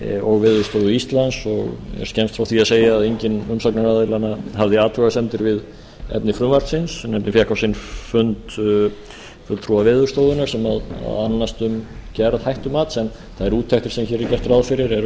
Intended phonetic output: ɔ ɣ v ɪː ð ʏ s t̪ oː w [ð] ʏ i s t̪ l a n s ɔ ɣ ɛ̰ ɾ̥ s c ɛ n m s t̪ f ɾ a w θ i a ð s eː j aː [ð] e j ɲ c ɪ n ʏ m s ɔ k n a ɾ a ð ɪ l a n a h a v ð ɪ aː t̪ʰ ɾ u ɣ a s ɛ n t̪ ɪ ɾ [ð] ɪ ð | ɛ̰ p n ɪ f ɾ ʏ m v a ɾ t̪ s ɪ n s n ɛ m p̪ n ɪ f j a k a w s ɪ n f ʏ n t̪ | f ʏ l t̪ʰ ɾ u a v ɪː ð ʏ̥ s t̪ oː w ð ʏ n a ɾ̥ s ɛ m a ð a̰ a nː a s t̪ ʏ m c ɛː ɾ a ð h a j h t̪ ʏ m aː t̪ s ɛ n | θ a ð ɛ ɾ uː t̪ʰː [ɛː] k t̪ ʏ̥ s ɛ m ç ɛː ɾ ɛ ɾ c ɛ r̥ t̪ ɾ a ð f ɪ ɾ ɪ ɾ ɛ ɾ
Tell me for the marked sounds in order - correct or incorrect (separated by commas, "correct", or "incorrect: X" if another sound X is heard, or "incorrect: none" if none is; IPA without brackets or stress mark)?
correct, correct, incorrect: v, incorrect: ɛ